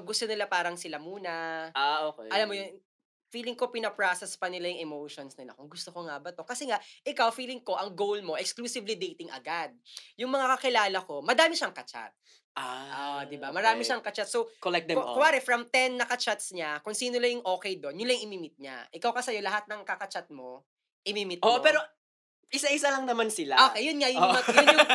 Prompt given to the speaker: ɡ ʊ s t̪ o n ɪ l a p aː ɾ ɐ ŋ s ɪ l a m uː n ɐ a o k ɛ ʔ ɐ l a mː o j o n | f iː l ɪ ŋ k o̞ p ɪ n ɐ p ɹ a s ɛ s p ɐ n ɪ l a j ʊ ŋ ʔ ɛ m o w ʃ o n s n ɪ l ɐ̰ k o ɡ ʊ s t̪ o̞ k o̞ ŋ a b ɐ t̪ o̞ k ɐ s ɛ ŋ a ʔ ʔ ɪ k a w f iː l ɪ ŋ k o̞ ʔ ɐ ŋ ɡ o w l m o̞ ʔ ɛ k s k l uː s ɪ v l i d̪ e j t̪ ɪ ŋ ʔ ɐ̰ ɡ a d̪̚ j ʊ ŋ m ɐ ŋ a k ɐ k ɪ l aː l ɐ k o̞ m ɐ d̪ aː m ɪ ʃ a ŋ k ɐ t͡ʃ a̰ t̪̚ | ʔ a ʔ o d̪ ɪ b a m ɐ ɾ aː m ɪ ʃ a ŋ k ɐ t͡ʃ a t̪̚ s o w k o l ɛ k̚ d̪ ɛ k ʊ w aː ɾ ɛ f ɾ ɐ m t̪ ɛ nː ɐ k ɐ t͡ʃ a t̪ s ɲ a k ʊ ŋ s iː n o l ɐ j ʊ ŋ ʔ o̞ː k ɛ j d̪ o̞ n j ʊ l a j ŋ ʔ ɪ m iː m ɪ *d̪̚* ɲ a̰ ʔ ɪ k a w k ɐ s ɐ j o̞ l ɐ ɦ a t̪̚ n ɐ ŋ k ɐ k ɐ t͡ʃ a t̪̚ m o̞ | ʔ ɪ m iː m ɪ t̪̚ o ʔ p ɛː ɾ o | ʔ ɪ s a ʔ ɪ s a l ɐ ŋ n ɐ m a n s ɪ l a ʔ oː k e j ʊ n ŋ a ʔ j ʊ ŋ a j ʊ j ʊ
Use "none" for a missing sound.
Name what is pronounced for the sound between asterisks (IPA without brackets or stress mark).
t̪̚